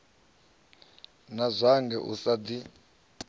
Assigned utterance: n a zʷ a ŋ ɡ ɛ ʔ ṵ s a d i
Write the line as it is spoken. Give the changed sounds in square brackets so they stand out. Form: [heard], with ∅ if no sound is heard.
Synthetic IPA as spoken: n a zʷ a ŋ ɡ ɛ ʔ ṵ s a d i